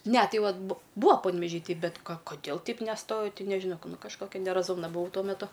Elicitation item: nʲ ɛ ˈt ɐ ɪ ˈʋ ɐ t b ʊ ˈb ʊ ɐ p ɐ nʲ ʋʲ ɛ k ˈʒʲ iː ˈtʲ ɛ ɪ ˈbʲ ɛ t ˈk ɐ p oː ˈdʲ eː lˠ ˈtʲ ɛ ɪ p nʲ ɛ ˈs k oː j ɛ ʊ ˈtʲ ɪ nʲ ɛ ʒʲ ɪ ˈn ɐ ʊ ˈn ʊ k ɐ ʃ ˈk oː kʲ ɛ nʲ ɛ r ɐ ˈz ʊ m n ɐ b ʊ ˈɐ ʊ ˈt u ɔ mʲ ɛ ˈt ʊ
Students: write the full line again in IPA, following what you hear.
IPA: nʲ ɛ ˈt ɐ ɪ ˈʋ ɐ t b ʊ ˈb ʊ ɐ p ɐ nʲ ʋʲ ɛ ˈʒʲ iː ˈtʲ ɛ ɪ ˈbʲ ɛ t ˈk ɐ k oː ˈdʲ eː lˠ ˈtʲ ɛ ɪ p nʲ ɛ ˈs t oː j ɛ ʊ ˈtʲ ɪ nʲ ɛ ʒʲ ɪ ˈn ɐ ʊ ˈn ʊ k ɐ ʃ ˈk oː kʲ ɛ nʲ ɛ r ɐ ˈz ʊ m n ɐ b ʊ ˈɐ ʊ ˈt u ɔ mʲ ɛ ˈt ʊ